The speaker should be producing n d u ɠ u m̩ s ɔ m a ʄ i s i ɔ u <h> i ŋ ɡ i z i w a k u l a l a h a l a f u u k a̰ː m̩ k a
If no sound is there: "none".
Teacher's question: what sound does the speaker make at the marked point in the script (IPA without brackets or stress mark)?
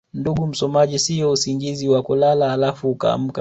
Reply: s